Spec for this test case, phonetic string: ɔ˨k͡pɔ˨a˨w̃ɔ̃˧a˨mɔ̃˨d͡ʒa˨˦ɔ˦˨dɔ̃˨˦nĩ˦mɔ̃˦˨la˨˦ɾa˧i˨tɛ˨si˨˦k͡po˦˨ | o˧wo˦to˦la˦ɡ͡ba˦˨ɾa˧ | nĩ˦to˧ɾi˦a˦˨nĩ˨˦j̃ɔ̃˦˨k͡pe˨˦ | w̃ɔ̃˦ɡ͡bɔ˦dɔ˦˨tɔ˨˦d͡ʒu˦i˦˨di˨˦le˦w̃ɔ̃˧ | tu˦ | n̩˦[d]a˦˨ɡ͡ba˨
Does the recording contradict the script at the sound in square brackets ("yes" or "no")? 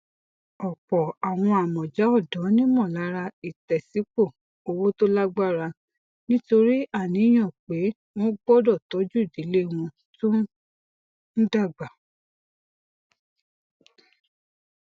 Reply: no